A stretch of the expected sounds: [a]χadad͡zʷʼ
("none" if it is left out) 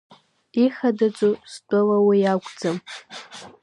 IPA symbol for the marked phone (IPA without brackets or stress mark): i